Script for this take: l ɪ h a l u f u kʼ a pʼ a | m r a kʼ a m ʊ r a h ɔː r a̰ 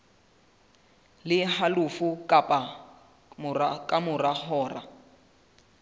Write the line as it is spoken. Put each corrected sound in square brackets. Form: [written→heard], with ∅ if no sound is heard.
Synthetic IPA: l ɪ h a l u f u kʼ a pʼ a | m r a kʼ a m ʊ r a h ɔː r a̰